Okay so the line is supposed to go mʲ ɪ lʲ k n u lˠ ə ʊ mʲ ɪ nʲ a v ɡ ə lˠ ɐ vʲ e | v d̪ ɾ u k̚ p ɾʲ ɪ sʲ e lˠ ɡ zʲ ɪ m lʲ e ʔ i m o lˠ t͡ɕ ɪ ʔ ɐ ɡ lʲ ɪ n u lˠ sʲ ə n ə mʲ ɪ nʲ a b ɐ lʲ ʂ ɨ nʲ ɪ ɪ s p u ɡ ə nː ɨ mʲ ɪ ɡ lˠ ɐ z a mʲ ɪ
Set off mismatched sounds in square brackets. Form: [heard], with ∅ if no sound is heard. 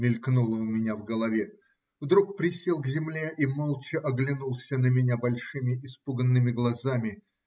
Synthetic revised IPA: mʲ ɪ lʲ k n u lˠ ə ʊ mʲ ɪ nʲ a v ɡ ə lˠ ɐ vʲ e | v d̪ ɾ u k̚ p ɾʲ ɪ sʲ e lˠ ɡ zʲ ɪ m lʲ e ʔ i m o lˠ t͡ɕ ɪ ʔ ɐ ɡ lʲ ɪ n u lˠ sʲ ə n ə mʲ ɪ nʲ a b ɐ lʲ ʂ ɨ [mʲ] ɪ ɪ s p u ɡ ə nː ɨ mʲ ɪ ɡ lˠ ɐ z a mʲ ɪ